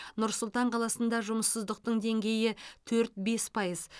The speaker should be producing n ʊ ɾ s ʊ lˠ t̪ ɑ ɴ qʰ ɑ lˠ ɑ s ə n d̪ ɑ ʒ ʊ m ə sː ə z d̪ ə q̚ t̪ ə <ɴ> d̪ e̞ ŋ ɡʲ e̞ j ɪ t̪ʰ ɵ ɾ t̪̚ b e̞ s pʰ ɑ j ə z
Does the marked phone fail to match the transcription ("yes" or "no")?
no